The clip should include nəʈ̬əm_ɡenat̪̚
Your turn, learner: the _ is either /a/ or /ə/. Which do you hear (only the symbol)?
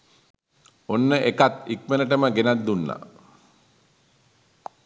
ə